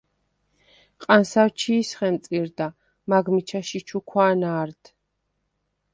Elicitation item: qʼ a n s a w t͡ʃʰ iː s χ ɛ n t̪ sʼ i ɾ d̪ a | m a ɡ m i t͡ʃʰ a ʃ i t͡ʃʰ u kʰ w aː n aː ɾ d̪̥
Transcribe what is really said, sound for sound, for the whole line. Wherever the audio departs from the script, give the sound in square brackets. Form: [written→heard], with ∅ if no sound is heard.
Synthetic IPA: qʼ a n s a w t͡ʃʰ iː s χ ɛ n t̪ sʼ i ɾ d̪ a | m a ɡ m i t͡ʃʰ a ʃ i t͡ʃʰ u kʰ w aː n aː ɾ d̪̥

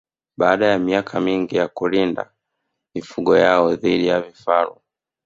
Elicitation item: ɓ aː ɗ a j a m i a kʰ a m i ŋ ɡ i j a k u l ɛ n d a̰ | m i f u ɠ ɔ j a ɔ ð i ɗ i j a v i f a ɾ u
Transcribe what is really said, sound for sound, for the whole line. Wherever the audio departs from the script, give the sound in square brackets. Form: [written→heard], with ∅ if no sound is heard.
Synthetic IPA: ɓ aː ɗ a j a m i a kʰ a m i ŋ ɡ i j a k u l [ɛ→i] n d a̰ | m i f u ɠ ɔ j a ɔ ð i ɗ i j a v i f a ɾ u

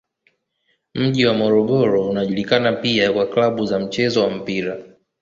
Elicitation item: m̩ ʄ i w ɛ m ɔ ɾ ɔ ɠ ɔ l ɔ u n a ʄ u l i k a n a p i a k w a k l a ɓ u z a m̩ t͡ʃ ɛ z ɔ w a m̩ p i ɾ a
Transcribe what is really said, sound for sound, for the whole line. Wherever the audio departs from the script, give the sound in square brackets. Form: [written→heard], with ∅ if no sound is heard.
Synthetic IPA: m̩ ʄ i w [ɛ→a] m ɔ ɾ ɔ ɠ ɔ [l→ɾ] ɔ u n a ʄ u l i k a n a p i a k w a k l a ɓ u z a m̩ t͡ʃ ɛ z ɔ w a m̩ p i ɾ a

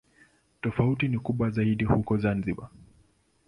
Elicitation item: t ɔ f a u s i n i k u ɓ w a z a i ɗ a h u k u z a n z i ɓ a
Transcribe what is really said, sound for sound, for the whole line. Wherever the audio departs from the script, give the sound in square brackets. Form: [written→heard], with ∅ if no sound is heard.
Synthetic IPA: t ɔ f a u [s→t] i n i k u ɓ w a z a i ɗ [a→i] h u k [u→ɔ] z a n z i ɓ a

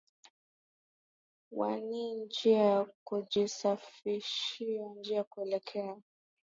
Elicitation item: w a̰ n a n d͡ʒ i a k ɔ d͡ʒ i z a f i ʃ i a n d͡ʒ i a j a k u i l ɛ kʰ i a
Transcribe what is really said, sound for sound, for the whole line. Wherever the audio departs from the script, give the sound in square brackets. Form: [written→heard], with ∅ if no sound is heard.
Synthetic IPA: w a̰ n [a→i] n d͡ʒ i a k [ɔ→u] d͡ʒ i [z→s] a f i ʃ i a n d͡ʒ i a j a k u [i→ɛ] l ɛ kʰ [i→ɛ] a

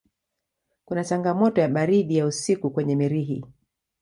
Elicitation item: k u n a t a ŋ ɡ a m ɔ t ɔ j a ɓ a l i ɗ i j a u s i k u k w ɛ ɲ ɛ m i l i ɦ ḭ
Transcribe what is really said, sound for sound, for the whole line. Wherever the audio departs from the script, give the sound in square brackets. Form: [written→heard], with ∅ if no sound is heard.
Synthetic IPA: k u n a [t→t͡ʃ] a ŋ ɡ a m ɔ t ɔ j a ɓ a [l→ɾ] i ɗ i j a u s i k u k w ɛ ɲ ɛ m i [l→ɾ] i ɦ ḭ

